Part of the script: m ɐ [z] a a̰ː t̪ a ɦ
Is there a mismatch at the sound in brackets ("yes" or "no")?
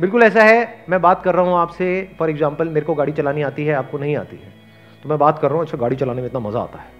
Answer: no